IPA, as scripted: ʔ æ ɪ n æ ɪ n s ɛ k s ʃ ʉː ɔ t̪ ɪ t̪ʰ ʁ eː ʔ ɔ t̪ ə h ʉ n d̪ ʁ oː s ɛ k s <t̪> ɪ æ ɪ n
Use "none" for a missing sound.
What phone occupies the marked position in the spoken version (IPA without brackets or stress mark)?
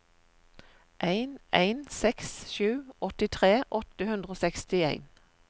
t̪